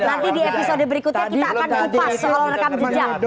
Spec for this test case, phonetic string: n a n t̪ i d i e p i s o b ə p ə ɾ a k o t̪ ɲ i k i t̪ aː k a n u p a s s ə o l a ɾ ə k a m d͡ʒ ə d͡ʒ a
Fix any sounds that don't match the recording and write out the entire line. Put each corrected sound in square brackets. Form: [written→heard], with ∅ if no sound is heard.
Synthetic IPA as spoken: n a n t̪ i d i e p i s o [b→d] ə [p→b] ə ɾ [a→i] k [o→u] t̪ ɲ [i→a] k i t̪ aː k a n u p a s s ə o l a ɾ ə k a m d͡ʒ ə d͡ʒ a